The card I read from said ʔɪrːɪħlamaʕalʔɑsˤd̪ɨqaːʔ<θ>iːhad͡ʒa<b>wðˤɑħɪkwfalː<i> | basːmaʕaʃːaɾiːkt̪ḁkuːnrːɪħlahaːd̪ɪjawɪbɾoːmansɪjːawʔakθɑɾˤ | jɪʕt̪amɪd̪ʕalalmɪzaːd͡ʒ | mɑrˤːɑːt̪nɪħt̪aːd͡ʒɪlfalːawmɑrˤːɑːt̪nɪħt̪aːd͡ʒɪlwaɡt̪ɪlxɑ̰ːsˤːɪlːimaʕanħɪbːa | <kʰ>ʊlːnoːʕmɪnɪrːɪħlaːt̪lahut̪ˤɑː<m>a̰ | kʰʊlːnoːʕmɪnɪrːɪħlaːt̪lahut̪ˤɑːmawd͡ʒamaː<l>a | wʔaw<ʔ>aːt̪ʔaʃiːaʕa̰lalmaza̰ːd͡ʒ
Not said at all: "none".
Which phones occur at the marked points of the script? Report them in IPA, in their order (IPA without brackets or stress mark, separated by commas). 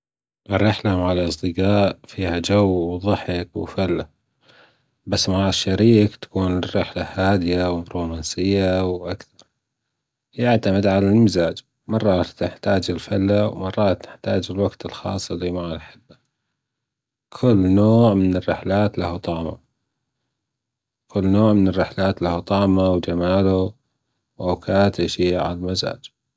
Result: f, w, a, kʰ, m, l, k